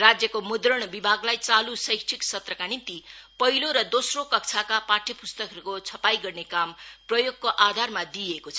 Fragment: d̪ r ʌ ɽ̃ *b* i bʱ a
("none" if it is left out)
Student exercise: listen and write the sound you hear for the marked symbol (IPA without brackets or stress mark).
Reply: b